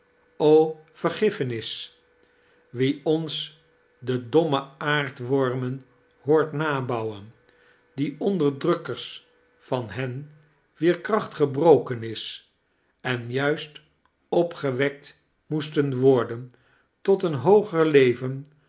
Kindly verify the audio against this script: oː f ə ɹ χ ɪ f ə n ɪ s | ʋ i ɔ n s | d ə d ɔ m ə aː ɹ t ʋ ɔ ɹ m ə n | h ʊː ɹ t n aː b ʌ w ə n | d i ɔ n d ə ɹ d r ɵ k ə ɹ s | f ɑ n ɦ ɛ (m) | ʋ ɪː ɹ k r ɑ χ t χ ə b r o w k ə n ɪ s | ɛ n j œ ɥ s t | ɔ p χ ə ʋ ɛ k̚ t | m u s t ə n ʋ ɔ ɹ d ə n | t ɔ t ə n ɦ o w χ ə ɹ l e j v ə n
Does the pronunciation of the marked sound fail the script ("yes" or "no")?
yes